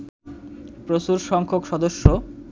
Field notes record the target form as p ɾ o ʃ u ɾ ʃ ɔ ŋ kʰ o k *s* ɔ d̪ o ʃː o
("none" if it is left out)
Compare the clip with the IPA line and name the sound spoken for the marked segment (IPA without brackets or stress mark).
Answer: ʃ